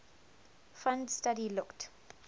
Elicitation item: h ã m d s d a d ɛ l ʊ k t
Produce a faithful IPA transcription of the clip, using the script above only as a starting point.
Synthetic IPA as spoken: f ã n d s t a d i l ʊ k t